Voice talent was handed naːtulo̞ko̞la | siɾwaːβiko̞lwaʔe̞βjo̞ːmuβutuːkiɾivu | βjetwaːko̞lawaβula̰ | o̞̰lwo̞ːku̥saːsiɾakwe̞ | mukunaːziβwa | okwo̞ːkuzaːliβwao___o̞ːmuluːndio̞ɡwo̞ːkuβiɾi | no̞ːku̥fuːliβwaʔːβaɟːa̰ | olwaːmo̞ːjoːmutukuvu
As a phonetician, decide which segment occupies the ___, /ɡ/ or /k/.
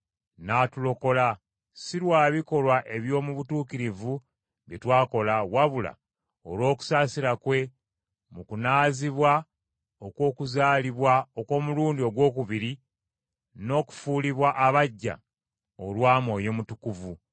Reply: k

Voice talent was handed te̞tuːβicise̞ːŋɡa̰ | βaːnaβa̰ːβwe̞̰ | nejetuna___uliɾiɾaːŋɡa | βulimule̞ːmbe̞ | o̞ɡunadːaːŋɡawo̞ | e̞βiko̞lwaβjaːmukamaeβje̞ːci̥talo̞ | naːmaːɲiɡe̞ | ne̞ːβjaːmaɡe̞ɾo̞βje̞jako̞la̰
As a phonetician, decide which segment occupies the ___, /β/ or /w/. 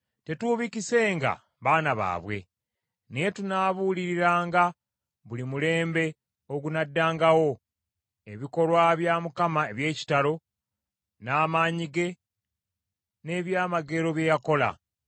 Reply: β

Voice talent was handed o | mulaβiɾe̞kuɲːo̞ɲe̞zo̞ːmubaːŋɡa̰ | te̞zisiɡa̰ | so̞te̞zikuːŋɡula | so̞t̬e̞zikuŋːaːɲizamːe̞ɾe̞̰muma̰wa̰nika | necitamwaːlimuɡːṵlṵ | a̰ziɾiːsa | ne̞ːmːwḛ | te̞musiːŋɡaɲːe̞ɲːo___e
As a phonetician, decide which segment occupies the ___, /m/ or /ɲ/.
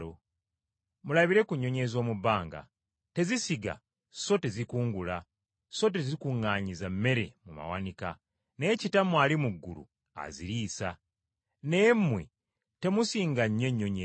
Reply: ɲ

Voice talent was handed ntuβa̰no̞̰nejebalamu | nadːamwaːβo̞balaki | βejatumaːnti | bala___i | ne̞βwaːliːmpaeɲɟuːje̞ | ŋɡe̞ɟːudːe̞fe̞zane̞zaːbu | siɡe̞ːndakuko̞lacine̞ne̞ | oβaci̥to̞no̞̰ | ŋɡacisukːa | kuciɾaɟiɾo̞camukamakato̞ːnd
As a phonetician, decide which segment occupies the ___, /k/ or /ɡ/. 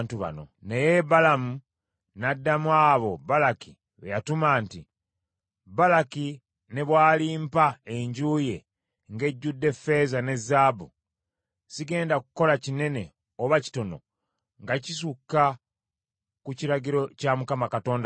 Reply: k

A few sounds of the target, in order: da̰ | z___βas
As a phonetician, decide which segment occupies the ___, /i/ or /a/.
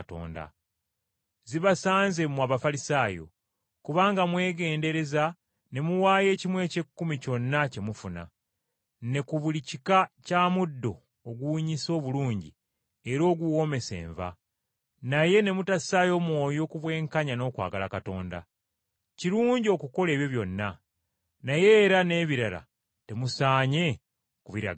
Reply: i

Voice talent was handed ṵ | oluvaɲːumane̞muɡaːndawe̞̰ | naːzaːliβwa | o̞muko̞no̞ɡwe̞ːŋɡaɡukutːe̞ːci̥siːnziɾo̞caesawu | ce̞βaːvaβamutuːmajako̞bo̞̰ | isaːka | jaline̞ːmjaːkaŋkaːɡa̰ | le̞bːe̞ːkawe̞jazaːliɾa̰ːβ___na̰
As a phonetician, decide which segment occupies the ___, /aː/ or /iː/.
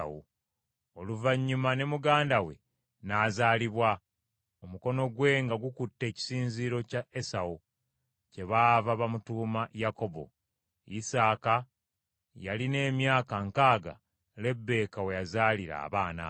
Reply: aː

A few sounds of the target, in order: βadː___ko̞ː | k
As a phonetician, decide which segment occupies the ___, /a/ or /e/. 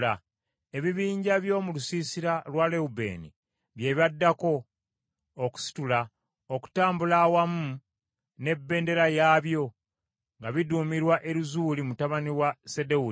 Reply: a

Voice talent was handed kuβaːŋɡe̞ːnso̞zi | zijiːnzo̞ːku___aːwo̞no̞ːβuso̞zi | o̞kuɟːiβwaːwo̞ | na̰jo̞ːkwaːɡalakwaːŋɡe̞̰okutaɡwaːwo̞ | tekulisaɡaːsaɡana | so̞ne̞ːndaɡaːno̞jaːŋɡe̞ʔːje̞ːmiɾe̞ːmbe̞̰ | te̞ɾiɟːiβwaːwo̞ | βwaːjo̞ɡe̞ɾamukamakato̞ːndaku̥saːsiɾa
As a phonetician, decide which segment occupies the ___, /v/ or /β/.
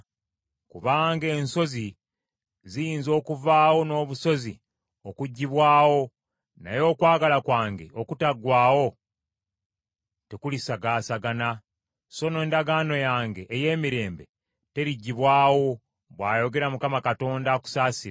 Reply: v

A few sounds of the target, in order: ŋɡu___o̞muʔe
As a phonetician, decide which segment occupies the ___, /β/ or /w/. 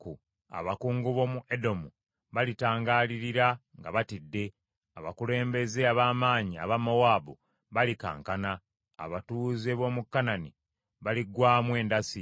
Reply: β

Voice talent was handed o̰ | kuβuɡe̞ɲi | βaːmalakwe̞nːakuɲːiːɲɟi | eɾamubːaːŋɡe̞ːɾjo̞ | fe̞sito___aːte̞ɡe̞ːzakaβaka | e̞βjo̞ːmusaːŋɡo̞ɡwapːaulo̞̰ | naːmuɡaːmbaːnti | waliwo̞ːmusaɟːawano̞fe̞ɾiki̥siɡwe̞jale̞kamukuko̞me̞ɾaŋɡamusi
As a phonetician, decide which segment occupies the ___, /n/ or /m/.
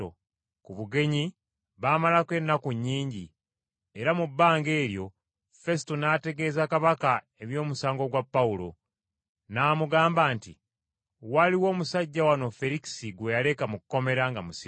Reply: n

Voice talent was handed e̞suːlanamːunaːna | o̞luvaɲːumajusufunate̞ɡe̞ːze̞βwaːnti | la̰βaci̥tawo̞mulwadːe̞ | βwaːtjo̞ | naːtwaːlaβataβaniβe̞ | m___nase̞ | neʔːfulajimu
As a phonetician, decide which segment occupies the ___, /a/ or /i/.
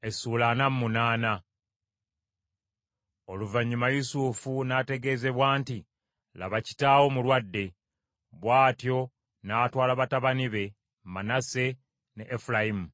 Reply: a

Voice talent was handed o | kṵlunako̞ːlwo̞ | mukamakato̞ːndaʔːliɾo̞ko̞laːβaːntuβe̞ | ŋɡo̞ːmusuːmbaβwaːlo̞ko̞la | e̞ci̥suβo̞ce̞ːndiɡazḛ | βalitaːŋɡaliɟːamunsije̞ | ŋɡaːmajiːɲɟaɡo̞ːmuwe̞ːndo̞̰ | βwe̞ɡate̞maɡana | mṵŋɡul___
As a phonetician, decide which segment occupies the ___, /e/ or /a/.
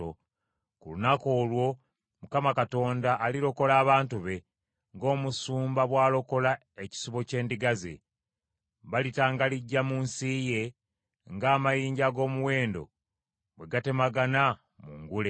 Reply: e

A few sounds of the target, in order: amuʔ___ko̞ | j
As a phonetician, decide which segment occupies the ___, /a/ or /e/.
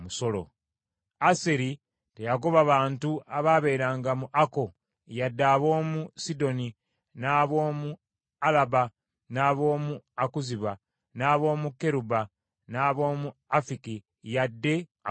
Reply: a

